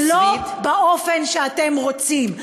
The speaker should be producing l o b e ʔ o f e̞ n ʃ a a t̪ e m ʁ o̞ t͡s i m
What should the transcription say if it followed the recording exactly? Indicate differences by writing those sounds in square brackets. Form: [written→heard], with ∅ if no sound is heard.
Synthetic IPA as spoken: l o b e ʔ o f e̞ n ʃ [a→e] a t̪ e m ʁ o̞ t͡s i m

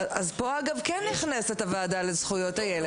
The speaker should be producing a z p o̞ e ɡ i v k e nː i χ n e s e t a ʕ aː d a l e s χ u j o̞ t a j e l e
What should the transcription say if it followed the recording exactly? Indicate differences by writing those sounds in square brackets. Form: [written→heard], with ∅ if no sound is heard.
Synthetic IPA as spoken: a z p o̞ [e→a] ɡ [i→a] v k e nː i χ n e s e t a [ʕ→v] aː d a l e [s→z] χ u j o̞ t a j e l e

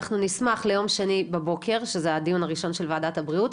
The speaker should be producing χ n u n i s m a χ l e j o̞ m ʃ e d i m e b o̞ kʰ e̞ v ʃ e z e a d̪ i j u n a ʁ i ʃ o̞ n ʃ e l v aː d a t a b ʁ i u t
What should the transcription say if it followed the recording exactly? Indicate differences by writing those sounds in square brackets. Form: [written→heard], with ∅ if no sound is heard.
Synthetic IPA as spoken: χ n u n i s m a χ l e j o̞ m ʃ e [d→n] i [m→b] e b o̞ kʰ e̞ [v→ʁ] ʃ e z e a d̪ i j u n a ʁ i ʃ o̞ n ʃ e l v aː d a t a b ʁ i u t

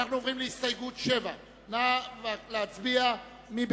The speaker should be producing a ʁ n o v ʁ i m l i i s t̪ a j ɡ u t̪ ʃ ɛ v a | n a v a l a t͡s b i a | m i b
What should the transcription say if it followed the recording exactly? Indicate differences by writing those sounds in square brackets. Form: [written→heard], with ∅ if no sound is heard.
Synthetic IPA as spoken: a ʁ n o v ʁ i m l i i s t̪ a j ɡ u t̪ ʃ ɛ v a | n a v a l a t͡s b i a | m i b

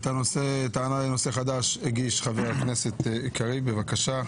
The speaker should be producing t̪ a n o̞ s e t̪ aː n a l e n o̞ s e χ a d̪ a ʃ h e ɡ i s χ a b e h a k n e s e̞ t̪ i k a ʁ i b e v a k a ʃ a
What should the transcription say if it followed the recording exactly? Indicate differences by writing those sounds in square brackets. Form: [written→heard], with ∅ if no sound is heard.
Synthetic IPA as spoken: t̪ a n o̞ s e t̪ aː n a l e n o̞ s e χ a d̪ a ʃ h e ɡ i [s→ʃ] χ a [b→v] e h a k n e s e̞ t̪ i k a ʁ i b e v a k a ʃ a

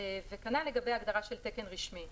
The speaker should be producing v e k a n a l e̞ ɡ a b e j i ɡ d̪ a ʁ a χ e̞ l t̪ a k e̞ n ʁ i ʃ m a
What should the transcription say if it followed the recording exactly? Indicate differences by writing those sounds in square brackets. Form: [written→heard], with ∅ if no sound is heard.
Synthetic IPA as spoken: v e k a n a l e̞ ɡ a b e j [i→a] ɡ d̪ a ʁ a [χ→ʃ] e̞ l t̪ [a→e] k e̞ n ʁ i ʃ m [a→i]

